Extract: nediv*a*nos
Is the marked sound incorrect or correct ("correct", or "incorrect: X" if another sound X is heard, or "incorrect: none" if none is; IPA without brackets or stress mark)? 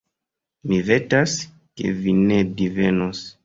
incorrect: e